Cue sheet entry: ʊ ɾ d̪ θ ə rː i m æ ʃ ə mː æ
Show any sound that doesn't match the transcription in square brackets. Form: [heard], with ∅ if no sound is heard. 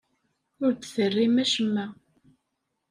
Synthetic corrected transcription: ʊ ɾ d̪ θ ə rː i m æ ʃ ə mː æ